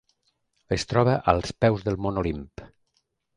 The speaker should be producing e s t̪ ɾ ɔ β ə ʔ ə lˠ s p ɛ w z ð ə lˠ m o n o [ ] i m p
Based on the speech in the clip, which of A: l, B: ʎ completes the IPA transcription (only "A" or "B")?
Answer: A